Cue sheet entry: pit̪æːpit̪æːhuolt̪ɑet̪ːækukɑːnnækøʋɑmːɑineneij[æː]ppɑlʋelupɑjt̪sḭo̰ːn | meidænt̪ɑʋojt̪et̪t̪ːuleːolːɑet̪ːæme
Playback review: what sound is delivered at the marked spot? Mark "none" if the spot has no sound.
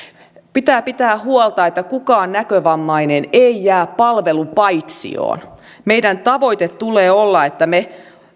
æː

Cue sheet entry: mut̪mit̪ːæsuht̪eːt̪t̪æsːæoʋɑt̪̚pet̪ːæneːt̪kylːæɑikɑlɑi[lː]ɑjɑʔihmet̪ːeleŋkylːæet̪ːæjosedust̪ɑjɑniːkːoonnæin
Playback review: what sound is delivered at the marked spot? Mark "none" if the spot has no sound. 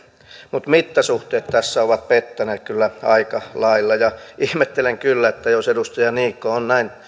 lː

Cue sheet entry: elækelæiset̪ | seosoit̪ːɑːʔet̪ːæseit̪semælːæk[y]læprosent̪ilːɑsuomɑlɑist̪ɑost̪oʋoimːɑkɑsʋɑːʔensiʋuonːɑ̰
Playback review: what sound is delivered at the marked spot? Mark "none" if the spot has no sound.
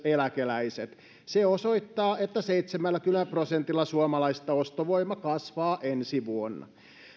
y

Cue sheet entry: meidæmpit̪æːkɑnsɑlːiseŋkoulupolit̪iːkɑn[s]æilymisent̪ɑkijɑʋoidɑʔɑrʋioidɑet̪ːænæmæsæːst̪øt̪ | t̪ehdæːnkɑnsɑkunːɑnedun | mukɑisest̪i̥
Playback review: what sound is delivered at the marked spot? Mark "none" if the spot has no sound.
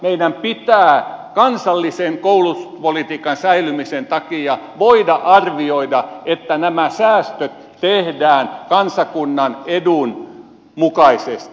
s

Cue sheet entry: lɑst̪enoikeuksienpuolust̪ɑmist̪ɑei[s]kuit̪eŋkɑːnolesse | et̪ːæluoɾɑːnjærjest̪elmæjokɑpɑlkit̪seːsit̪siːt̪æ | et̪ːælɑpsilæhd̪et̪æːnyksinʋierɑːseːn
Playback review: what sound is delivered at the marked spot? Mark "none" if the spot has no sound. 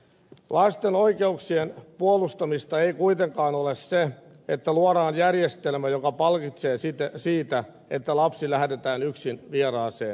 none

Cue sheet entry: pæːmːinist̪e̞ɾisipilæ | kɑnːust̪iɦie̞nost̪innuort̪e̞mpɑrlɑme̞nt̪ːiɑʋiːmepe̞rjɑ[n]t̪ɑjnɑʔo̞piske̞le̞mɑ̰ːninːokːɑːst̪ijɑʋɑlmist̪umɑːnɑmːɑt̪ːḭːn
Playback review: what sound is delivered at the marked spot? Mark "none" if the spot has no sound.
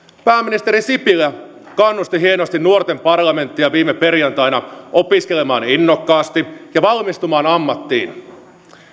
n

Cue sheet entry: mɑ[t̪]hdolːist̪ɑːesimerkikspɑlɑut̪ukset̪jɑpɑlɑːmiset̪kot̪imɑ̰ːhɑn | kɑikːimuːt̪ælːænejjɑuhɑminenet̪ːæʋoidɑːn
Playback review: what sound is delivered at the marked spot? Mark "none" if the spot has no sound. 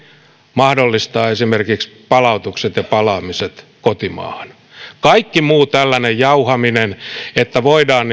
none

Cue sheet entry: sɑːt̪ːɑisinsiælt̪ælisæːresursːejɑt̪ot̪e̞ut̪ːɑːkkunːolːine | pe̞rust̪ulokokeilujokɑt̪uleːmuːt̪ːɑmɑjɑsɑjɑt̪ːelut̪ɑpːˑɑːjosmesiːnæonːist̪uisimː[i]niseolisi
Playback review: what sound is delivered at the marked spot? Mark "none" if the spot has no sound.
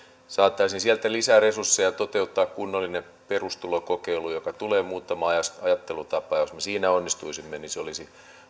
e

